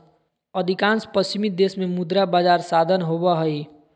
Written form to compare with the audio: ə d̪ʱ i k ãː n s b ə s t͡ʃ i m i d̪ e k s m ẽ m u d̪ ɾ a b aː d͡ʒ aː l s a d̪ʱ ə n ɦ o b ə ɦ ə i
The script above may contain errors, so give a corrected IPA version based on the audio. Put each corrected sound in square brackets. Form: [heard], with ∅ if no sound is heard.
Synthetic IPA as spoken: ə d̪ʱ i k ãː n s [p] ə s t͡ʃ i m i d̪ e [∅] s m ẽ m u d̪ ɾ a b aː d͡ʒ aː [ɾ] s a d̪ʱ ə n ɦ o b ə ɦ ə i